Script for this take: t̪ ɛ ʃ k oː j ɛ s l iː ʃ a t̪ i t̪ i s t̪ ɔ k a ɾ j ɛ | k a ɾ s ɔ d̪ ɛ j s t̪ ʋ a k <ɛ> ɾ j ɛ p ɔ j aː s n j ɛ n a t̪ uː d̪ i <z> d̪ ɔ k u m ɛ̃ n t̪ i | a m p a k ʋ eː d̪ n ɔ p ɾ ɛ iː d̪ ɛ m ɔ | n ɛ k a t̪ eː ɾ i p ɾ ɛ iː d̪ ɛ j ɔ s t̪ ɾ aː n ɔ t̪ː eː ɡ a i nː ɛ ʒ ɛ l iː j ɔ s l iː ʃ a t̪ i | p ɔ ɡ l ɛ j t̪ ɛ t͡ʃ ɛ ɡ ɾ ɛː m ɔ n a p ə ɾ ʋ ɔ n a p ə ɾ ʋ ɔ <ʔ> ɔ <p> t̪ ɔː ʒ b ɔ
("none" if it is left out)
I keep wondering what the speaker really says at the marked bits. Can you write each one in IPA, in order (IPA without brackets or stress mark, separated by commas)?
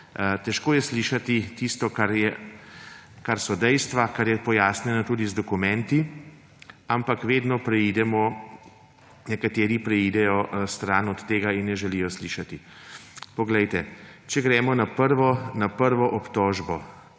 a, z, ʔ, p